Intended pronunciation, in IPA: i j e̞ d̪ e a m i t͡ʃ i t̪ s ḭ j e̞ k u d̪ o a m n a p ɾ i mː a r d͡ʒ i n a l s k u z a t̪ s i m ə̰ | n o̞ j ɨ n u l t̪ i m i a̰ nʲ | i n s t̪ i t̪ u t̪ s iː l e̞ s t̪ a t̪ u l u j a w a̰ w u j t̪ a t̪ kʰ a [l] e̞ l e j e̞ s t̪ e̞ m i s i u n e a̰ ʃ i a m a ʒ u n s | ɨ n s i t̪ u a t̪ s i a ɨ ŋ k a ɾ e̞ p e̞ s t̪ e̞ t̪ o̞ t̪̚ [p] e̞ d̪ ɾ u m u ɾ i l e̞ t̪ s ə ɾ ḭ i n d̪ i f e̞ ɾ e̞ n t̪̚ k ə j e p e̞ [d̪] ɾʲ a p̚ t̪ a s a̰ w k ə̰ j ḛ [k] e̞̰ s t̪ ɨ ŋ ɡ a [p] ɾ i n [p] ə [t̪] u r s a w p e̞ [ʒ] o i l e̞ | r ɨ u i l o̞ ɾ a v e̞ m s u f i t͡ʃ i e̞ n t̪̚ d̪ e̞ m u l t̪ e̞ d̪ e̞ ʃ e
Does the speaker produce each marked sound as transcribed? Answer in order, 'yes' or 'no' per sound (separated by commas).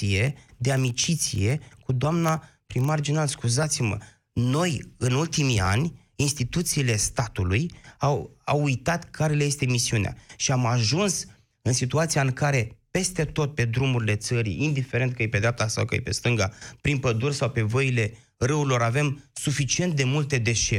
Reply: no, yes, yes, no, yes, yes, no, no